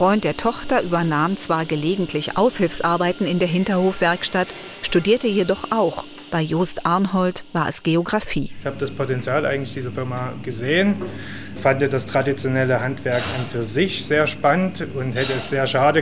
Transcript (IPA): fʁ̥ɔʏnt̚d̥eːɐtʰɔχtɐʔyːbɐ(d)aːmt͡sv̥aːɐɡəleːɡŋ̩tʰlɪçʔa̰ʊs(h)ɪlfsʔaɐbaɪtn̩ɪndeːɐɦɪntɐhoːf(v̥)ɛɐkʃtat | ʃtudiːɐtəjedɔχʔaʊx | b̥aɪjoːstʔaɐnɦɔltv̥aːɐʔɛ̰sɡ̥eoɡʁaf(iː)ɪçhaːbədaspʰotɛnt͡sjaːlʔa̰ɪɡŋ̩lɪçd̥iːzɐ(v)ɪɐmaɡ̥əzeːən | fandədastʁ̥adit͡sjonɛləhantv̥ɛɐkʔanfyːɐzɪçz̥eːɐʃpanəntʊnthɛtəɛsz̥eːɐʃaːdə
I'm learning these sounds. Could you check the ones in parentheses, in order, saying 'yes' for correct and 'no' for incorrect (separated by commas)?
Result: no, yes, yes, yes, no